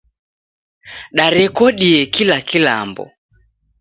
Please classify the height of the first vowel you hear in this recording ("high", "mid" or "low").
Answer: low